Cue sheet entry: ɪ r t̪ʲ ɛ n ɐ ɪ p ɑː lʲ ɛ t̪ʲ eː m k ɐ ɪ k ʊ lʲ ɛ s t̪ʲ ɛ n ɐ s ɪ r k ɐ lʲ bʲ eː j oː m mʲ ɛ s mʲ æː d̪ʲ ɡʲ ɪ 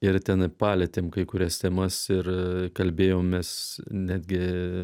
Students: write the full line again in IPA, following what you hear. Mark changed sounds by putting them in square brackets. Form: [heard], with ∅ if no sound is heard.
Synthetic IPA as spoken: ɪ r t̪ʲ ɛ n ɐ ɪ p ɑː lʲ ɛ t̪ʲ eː m k ɐ ɪ k ʊ [ɾʲ] ɛ s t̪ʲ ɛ [m] ɐ s ɪ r k ɐ lʲ bʲ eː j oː m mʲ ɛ s [nʲ] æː d̪ʲ ɡʲ ɪ